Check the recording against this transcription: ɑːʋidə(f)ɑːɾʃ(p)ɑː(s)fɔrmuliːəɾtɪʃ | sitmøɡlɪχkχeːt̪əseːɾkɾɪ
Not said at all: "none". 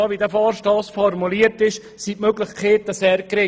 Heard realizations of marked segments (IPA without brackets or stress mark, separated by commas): f, t, s